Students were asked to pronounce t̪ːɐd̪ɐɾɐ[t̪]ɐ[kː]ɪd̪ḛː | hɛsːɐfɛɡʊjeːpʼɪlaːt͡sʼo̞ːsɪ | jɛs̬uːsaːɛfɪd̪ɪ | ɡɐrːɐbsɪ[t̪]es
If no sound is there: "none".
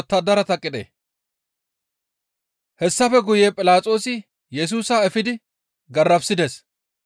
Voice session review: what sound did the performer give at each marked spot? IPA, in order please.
t̪, kʼː, d̪

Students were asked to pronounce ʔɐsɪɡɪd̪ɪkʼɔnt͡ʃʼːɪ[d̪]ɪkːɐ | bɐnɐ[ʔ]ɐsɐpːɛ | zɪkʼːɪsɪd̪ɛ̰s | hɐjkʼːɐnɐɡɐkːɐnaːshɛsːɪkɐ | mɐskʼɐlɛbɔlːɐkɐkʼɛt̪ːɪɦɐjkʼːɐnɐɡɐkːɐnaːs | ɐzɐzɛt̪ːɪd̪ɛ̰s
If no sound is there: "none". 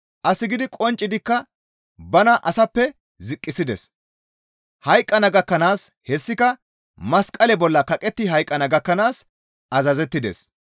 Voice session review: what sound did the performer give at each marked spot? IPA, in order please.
d̪, ʔ

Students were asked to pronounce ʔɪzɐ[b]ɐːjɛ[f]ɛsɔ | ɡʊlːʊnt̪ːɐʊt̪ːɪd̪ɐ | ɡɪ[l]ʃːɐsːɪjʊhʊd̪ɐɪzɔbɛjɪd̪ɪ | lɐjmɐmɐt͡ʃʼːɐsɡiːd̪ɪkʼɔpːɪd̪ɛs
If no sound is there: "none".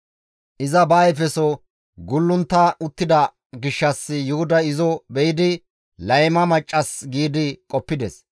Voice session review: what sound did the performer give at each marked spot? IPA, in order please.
b, f, none

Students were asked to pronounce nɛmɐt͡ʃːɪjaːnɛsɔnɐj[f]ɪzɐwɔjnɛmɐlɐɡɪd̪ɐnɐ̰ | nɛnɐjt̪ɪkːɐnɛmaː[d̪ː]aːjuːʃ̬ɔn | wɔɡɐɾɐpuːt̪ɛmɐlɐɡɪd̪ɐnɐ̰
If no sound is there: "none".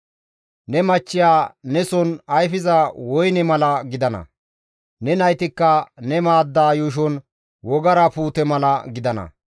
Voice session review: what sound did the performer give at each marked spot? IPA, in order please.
f, d̪ː

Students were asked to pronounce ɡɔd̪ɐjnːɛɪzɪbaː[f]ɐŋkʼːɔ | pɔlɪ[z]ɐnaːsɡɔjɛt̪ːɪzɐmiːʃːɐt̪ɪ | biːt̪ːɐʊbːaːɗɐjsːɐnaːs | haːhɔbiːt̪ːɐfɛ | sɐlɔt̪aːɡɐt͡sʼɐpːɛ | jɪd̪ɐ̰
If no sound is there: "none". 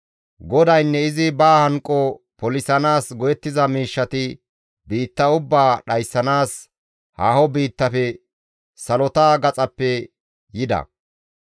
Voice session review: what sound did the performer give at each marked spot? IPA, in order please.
h, s

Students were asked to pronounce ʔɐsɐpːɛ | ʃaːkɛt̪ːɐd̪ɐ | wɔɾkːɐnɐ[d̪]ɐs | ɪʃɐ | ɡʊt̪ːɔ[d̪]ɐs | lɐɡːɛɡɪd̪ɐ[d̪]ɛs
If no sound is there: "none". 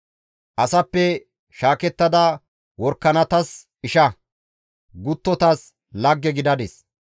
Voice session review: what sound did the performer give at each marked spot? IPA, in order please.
t̪, t̪, d̪

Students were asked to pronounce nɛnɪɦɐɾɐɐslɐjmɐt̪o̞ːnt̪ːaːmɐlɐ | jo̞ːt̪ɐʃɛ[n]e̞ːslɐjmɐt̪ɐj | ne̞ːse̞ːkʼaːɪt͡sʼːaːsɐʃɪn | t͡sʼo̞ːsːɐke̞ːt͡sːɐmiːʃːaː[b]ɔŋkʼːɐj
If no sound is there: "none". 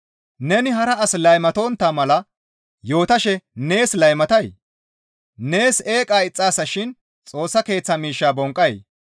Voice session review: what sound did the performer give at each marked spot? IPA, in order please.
n, b

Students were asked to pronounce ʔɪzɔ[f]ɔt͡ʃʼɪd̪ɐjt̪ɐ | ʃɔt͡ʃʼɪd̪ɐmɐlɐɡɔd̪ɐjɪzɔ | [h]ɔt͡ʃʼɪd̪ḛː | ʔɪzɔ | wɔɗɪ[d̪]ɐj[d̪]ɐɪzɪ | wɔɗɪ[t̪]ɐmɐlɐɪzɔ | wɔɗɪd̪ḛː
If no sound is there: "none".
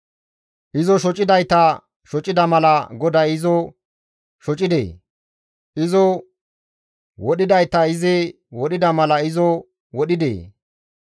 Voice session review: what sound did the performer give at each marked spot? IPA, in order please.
ʃ, ʃ, d̪, t̪, d̪

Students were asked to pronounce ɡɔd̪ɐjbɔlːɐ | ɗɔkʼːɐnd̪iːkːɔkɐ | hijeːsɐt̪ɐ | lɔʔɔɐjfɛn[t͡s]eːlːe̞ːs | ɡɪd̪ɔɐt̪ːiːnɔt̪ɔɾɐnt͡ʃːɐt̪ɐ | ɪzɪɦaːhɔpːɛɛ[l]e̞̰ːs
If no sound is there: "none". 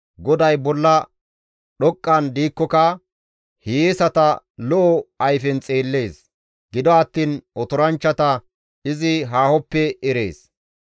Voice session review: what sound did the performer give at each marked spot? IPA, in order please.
t͡sʼ, ɾ

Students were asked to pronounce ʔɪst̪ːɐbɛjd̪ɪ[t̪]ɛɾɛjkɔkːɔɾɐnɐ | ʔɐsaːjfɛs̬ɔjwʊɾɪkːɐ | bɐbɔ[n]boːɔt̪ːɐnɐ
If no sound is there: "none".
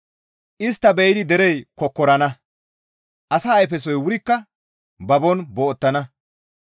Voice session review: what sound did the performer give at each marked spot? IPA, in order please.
d̪, n

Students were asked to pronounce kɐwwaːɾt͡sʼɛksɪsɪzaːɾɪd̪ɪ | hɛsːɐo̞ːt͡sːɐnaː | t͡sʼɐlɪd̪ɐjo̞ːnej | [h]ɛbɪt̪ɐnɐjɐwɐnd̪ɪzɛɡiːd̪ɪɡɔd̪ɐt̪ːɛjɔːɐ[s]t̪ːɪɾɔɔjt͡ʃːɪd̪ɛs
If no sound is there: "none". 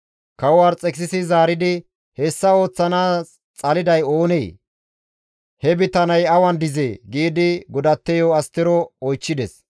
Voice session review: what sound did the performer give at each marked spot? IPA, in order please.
h, s

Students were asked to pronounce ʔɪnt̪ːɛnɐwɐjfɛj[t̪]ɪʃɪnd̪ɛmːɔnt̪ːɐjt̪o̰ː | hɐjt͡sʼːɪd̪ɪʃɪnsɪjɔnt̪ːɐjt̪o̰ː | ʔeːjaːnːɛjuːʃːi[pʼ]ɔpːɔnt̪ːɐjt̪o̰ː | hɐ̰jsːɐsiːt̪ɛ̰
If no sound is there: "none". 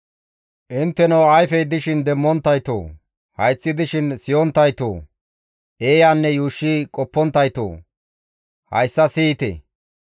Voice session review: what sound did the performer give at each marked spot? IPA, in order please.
d̪, kʼ

